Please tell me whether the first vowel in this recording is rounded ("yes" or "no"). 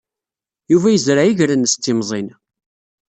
yes